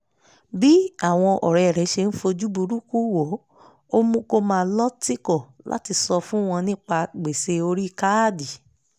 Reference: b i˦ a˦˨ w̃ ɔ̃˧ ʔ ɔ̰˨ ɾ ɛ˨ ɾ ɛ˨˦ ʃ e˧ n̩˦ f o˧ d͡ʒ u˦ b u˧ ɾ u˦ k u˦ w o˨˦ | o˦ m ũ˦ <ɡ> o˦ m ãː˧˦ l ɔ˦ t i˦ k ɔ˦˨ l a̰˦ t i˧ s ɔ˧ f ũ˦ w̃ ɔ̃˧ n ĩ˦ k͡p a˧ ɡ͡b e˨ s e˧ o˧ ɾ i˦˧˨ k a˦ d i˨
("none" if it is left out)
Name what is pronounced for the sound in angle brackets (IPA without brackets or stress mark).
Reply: k